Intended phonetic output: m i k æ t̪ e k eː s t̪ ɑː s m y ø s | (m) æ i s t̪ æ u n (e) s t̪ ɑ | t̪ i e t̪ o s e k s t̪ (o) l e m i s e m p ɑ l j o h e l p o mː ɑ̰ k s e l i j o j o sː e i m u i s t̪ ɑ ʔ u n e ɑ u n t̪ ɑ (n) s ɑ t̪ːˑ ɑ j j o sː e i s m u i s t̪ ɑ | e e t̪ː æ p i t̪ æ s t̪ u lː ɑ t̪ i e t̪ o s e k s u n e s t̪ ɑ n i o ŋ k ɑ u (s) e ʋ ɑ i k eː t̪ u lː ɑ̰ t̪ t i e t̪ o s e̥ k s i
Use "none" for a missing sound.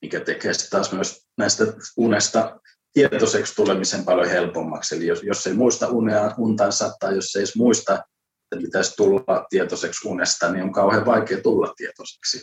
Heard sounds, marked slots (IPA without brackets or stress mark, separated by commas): n, e, u, n, h